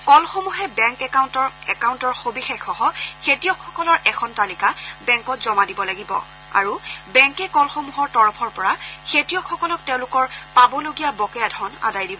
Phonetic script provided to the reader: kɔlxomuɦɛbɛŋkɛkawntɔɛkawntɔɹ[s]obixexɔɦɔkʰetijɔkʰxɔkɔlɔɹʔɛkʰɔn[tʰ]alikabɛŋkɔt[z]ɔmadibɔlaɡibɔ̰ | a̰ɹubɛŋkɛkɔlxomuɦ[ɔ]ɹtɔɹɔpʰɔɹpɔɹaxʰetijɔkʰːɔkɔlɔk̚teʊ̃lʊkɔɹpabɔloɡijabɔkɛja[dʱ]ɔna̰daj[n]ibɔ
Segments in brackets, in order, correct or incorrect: incorrect, incorrect, correct, correct, correct, incorrect

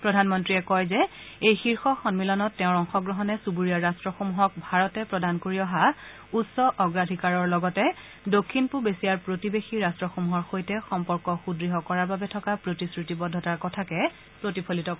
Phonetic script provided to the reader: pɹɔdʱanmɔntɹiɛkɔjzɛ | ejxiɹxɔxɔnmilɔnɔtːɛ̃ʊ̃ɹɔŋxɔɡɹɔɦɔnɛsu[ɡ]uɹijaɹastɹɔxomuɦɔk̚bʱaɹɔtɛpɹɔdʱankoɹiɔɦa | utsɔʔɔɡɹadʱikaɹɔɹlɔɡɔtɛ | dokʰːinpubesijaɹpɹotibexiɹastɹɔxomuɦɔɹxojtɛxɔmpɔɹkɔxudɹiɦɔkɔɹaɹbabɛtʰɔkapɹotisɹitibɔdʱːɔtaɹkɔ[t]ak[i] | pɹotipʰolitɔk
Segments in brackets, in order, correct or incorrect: incorrect, incorrect, incorrect

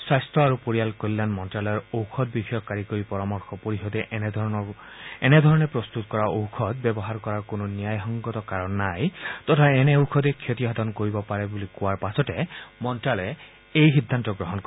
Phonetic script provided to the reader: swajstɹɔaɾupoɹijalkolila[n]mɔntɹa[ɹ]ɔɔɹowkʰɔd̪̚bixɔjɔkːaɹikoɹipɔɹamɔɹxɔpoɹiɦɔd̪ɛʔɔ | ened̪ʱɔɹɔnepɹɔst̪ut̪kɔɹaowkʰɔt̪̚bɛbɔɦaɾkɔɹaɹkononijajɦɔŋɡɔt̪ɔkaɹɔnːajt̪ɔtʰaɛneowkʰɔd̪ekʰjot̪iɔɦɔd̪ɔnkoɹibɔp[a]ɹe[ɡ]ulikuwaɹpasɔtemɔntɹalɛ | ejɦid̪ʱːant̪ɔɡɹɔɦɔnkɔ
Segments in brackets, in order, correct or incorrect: correct, incorrect, correct, incorrect

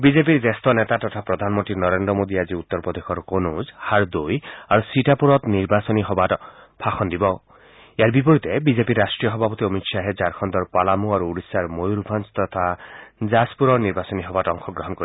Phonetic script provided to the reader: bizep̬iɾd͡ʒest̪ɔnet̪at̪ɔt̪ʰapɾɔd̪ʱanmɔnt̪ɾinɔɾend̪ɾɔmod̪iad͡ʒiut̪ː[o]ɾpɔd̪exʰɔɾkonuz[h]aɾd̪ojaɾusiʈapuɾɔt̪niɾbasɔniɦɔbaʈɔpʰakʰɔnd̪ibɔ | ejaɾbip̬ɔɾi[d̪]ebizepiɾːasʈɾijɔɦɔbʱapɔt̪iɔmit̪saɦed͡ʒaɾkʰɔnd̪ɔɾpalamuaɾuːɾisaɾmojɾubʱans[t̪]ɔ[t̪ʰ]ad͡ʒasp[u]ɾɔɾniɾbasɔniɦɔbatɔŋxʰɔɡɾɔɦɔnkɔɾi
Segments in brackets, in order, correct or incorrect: incorrect, correct, incorrect, correct, correct, correct

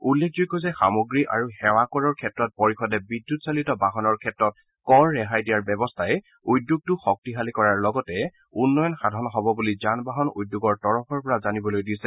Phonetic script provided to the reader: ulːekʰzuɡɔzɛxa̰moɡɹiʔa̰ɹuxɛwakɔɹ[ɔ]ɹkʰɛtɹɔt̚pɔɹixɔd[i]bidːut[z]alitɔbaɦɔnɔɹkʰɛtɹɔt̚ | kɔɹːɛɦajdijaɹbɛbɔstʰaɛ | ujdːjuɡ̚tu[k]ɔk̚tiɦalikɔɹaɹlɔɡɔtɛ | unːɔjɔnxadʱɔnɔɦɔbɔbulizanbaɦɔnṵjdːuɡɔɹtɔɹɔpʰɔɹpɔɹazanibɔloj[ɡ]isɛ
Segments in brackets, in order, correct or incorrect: correct, incorrect, incorrect, incorrect, incorrect

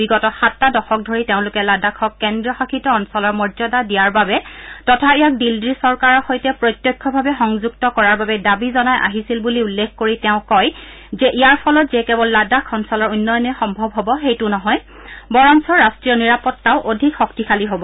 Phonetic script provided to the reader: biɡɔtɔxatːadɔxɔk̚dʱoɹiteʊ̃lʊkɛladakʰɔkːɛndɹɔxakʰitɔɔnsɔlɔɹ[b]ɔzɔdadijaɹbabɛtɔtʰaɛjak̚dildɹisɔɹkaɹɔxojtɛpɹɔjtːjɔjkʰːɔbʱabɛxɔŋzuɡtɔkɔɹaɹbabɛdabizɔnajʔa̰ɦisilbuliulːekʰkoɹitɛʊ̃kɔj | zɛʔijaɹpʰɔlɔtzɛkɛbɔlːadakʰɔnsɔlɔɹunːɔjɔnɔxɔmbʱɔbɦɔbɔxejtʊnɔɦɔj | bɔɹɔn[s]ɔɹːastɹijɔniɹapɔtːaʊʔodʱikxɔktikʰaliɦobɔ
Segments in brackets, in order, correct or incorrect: incorrect, correct

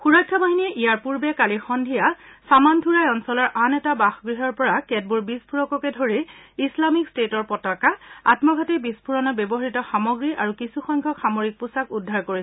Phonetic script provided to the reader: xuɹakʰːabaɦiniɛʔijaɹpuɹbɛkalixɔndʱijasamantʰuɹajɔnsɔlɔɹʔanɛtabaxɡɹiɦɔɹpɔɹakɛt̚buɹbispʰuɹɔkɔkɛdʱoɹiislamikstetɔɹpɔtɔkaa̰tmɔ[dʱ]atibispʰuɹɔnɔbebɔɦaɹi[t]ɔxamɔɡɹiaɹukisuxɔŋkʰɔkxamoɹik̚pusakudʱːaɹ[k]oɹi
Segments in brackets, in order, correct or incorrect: incorrect, correct, correct

